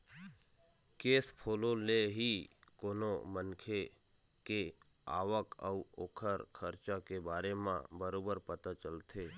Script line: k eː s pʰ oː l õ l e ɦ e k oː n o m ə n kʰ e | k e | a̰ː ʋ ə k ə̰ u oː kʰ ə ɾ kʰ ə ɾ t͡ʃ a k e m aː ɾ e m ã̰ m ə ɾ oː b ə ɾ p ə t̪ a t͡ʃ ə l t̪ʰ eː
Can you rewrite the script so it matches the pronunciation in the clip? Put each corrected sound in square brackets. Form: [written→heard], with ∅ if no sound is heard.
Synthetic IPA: k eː s pʰ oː l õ l e ɦ [e→i] k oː n o m ə n kʰ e | k e | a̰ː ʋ ə k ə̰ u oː kʰ ə ɾ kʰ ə ɾ t͡ʃ a k e [m→b] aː ɾ e m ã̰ [m→b] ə ɾ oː b ə ɾ p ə t̪ a t͡ʃ ə l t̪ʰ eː